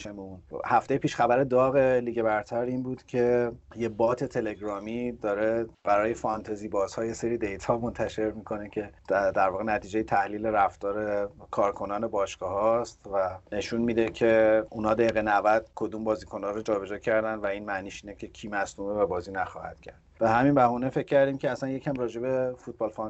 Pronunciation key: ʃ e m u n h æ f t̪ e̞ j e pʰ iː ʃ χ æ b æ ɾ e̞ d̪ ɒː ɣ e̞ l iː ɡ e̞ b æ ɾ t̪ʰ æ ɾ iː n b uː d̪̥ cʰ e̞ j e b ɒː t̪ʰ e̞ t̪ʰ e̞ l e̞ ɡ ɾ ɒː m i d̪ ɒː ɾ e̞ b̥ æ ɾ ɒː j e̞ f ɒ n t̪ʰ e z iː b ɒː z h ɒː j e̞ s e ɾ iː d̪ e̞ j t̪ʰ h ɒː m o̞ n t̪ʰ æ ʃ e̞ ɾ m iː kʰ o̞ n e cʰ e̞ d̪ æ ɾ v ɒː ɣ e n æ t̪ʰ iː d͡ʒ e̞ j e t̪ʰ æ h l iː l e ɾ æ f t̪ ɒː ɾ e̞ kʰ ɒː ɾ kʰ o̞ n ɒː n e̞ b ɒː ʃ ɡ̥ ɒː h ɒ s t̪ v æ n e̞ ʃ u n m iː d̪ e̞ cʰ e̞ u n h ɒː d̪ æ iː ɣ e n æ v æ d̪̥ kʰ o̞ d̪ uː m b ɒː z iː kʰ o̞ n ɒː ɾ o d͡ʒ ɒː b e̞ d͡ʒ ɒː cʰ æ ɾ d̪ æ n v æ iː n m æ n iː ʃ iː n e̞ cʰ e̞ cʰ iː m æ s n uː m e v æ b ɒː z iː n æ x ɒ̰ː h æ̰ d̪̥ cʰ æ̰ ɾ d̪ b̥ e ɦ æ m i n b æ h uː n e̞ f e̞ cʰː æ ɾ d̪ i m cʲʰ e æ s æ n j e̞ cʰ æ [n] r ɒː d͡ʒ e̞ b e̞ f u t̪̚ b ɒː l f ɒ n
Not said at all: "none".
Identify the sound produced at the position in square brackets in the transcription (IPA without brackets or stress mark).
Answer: m